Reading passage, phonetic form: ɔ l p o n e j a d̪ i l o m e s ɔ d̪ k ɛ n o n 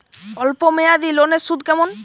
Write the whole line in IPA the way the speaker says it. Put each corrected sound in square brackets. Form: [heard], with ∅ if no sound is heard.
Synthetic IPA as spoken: ɔ l p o [m] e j a d̪ i l o [n] e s [u] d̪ k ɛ [m] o n